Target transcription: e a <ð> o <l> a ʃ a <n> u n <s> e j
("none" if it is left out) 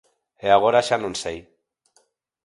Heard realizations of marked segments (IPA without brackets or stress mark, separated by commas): ɣ, ɾ, n, s